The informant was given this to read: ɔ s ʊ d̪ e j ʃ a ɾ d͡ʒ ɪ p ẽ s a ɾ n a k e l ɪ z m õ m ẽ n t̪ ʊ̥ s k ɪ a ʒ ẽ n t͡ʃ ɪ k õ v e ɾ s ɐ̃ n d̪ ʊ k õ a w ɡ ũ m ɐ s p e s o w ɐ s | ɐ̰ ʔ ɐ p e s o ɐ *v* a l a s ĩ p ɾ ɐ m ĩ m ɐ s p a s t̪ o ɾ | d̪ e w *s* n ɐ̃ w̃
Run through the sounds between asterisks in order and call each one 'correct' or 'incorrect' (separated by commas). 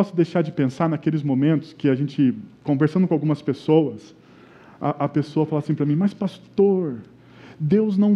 incorrect, incorrect